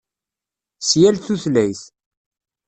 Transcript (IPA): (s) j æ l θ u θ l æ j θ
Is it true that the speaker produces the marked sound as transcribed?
yes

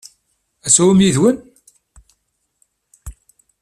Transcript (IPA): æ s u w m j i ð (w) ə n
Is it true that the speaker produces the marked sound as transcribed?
yes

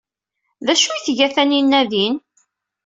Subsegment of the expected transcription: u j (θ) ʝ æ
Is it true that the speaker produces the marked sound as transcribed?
yes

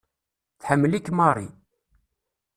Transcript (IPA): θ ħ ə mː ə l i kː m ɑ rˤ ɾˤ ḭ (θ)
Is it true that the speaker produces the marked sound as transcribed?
no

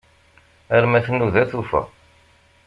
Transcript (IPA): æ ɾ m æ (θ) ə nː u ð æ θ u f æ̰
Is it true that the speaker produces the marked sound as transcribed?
yes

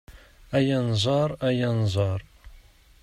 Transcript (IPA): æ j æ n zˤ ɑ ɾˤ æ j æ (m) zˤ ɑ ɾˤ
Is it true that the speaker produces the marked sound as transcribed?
no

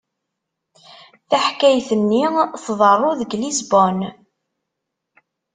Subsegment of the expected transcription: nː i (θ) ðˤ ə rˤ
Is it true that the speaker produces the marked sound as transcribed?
yes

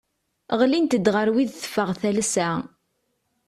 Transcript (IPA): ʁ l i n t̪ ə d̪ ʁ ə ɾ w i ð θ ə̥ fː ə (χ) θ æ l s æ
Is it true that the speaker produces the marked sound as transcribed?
no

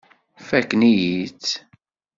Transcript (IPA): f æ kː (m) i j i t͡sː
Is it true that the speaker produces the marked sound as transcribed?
no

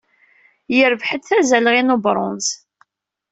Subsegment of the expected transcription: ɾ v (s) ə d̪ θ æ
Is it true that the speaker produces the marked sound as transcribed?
no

